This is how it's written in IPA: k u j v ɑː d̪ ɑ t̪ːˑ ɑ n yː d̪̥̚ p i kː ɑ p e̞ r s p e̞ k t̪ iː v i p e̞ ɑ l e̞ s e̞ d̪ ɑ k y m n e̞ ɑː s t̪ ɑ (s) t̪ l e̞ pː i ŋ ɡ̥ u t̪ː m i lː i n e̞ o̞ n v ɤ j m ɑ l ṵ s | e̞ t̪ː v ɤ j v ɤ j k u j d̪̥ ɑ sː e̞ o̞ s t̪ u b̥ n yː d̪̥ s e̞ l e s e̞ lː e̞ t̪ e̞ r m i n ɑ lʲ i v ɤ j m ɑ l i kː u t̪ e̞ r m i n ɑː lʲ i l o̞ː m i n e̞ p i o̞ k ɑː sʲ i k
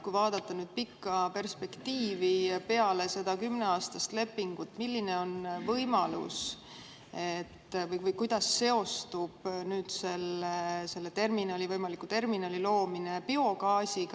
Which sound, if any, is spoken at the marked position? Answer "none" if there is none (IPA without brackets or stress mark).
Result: s